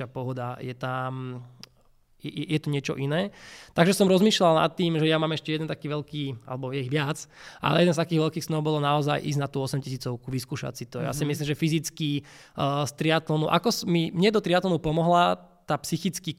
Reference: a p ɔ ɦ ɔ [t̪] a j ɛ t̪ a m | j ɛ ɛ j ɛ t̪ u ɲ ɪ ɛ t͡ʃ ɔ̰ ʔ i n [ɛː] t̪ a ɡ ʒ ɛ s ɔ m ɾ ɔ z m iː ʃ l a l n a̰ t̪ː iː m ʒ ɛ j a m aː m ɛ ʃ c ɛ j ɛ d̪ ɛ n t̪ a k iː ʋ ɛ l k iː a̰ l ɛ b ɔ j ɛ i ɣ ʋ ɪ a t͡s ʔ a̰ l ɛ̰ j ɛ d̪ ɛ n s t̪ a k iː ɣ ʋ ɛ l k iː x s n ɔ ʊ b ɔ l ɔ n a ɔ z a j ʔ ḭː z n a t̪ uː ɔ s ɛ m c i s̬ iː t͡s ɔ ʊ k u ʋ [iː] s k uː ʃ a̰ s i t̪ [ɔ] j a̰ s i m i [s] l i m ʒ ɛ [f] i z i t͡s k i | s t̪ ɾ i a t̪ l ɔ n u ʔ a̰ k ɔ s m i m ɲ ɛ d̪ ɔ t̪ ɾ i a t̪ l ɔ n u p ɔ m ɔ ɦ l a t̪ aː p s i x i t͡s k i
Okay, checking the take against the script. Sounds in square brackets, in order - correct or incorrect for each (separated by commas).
incorrect, correct, incorrect, correct, correct, correct